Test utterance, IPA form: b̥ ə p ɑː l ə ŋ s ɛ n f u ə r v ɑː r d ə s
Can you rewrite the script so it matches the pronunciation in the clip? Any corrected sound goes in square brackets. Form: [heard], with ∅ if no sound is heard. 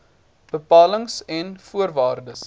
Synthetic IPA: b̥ ə p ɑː l ə ŋ s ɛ n f u ə r v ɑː r d ə s

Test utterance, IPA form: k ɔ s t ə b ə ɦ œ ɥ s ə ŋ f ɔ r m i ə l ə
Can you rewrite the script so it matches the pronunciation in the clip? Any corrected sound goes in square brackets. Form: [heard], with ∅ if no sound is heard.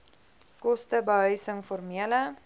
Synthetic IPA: k ɔ s t ə b ə ɦ œ ɥ s ə ŋ f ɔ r m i ə l ə

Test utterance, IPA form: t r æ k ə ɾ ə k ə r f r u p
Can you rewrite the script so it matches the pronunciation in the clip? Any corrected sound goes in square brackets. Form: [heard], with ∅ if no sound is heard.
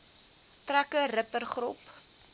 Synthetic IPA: t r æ k ə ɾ ə [p] ə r [χ] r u p

